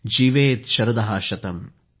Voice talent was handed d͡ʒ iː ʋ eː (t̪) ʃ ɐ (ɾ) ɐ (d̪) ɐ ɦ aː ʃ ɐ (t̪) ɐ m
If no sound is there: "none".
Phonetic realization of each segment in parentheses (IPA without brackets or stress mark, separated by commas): t̪, ɾ, d̪, t̪